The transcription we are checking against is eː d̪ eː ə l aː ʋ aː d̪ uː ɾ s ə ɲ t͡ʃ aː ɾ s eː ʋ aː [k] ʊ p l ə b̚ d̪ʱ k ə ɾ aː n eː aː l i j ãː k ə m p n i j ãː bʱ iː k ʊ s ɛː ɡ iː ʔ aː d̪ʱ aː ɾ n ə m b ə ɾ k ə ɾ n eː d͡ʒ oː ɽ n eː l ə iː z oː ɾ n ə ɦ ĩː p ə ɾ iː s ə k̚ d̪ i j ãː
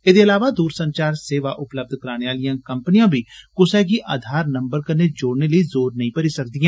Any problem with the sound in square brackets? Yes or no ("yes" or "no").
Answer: yes